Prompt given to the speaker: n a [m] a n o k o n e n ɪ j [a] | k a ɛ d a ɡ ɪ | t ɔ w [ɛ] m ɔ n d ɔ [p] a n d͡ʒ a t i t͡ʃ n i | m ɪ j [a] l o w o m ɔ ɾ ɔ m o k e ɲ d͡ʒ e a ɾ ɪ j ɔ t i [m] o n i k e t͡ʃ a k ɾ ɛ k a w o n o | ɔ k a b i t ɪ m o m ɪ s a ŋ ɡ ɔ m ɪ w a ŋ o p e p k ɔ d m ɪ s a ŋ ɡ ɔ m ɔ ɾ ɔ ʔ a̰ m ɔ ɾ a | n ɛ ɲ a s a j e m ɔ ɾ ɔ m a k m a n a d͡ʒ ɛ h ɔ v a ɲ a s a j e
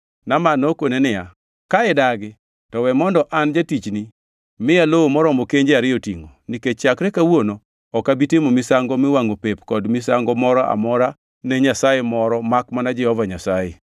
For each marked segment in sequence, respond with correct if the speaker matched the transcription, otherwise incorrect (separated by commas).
correct, correct, correct, incorrect, correct, incorrect